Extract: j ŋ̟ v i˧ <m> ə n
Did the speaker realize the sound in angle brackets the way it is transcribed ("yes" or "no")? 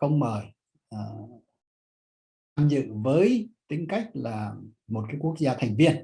no